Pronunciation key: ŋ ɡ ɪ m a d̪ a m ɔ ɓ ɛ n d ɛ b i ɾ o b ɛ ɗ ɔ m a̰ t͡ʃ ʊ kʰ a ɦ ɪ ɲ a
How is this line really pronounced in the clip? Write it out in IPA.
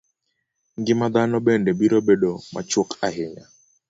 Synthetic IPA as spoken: ŋ ɡ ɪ m a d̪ a n ɔ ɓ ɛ n d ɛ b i ɾ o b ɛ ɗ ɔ m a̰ t͡ʃ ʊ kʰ a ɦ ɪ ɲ a